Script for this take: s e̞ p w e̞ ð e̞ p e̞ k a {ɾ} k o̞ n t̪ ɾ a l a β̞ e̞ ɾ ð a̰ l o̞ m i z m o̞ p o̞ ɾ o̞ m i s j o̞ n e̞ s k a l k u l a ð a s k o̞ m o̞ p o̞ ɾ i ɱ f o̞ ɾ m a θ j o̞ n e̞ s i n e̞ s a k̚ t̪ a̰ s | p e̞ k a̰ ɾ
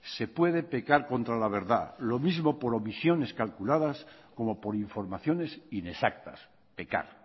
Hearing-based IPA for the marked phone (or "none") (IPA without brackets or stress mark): ɾ